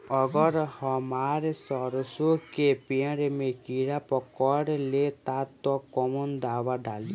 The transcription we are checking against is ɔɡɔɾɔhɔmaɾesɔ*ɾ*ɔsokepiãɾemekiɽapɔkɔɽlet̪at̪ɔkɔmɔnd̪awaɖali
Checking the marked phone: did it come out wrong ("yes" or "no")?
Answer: no